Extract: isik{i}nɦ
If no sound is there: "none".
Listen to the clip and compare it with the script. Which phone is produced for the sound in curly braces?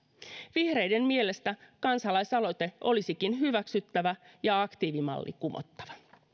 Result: i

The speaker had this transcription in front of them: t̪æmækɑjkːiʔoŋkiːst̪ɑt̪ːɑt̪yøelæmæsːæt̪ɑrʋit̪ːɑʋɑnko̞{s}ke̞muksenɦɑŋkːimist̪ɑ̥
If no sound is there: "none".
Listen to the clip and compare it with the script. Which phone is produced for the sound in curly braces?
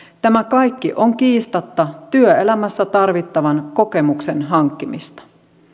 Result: none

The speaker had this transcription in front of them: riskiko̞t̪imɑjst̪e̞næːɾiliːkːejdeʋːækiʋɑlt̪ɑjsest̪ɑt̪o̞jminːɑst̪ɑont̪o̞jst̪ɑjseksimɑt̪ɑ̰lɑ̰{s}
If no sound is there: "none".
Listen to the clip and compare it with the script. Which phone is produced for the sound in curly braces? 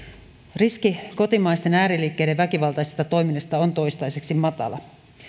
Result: none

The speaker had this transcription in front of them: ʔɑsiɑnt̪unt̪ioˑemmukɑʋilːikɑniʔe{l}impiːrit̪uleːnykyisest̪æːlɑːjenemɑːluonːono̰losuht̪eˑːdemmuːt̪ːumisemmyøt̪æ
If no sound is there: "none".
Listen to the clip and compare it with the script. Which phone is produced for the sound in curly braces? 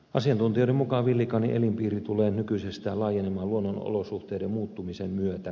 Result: l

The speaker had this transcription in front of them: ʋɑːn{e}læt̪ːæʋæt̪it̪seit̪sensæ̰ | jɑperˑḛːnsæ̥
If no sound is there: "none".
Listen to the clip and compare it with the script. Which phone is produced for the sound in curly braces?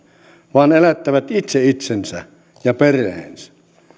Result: e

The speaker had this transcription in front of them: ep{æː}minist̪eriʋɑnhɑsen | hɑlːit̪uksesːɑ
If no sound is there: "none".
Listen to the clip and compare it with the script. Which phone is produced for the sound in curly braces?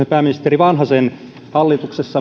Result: æː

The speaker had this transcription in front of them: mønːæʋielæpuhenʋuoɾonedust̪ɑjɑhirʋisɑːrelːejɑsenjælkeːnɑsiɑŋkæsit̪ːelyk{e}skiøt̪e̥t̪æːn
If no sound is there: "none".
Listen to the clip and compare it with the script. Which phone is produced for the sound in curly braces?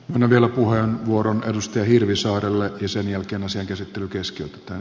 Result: e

